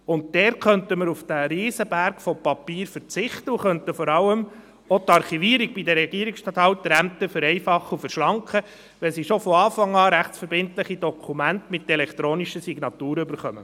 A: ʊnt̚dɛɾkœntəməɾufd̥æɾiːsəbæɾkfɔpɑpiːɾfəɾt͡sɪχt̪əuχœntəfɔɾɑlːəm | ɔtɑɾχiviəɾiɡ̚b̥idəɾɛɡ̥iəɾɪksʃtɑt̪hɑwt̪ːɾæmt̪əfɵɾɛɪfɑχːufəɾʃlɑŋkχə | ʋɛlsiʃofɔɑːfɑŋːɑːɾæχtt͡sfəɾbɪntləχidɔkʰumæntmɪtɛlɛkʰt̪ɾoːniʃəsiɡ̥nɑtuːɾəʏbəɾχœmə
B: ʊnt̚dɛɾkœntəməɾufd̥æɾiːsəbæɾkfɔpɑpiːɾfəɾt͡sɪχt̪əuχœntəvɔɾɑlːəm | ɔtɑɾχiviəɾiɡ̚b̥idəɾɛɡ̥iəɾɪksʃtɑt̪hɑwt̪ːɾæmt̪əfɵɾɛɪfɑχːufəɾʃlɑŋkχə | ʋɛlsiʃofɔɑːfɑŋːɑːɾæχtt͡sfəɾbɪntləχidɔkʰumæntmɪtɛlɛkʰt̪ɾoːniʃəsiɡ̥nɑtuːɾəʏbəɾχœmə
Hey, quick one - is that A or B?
A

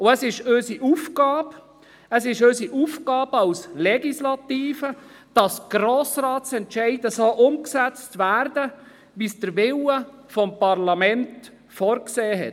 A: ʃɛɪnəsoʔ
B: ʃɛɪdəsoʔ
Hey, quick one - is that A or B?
B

